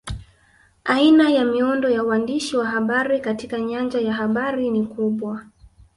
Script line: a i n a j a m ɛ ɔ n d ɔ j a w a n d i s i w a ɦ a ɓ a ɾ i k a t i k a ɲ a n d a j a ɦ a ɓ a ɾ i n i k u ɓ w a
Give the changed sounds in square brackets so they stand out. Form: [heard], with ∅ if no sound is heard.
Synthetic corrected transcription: a i n a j a m [i] ɔ n d ɔ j a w a n d i [ʃ] i w a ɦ a ɓ a ɾ i k a t i k a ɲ a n [d͡ʒ] a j a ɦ a ɓ a ɾ i n i k u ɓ w a